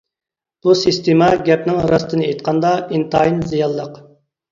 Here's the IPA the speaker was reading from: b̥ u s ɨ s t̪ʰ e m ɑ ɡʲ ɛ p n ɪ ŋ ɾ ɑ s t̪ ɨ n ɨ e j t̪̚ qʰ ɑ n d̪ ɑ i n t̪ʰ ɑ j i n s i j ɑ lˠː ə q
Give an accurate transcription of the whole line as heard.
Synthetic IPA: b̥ u s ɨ s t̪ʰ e m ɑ ɡʲ ɛ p n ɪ ŋ ɾ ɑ s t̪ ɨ n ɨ e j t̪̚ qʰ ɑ n d̪ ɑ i n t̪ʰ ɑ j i n z i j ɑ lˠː ə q